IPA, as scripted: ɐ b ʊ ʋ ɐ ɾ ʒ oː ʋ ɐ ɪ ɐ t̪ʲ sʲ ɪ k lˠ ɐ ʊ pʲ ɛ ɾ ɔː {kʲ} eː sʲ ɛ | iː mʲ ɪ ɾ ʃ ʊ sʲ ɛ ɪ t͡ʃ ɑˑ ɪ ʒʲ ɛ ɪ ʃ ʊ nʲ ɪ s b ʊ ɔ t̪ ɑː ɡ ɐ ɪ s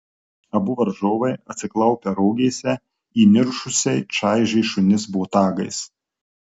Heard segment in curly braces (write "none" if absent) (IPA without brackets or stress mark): ɡʲ